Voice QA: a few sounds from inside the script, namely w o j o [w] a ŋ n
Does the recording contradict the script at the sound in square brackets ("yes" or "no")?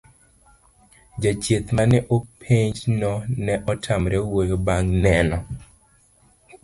yes